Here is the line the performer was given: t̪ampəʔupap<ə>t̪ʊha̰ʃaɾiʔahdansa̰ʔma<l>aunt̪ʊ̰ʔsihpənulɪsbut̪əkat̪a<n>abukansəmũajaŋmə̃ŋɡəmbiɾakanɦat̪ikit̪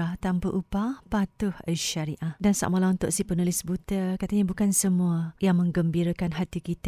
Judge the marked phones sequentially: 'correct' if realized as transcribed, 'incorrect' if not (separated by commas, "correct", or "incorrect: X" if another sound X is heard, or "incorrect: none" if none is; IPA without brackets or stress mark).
incorrect: a, correct, incorrect: ɲ